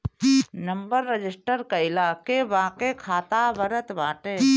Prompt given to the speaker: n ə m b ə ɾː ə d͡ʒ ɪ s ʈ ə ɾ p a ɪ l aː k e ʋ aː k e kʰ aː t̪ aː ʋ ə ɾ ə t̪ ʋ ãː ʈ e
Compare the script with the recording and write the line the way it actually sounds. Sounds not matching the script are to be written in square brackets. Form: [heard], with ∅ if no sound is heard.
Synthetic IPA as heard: n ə m b ə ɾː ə d͡ʒ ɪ s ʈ ə ɾ [k] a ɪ l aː k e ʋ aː k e kʰ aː t̪ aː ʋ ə ɾ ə t̪ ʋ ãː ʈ e